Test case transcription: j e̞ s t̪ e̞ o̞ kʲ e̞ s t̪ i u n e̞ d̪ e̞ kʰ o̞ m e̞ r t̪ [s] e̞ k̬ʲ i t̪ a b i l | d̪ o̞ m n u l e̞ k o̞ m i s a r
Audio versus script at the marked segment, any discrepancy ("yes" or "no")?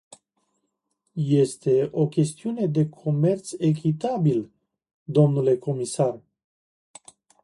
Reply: no